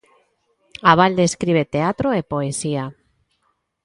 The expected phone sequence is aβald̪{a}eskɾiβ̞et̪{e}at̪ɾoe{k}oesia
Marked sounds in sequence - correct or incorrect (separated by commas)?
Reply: incorrect, correct, incorrect